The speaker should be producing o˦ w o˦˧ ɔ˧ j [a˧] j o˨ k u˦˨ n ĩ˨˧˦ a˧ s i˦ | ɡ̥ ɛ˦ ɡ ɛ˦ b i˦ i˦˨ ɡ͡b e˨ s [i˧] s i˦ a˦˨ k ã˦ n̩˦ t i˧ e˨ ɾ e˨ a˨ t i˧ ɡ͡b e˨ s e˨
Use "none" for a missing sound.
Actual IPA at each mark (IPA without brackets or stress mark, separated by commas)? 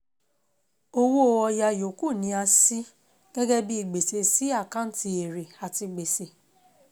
a˧, e˧